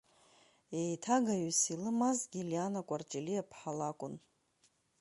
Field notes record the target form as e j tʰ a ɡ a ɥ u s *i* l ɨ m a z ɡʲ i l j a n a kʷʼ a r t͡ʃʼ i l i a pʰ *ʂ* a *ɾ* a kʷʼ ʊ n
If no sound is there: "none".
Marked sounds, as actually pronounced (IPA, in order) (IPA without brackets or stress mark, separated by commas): i, ħ, l